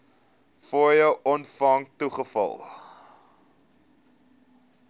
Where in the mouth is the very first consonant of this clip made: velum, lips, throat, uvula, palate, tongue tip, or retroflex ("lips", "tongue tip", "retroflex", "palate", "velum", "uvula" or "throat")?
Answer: lips